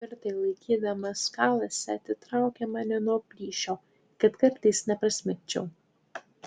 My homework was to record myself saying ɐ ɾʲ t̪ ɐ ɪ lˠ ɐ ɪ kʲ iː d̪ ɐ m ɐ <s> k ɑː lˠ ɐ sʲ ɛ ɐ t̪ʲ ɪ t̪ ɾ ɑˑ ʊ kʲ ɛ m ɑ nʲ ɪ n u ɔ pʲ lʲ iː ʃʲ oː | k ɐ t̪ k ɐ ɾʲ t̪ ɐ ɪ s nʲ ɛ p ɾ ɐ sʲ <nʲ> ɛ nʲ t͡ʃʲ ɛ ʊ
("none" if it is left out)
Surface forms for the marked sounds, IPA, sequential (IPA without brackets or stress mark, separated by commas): s, mʲ